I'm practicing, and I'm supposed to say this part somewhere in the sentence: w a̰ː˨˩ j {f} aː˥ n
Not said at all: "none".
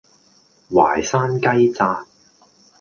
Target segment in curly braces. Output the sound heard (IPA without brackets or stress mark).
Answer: s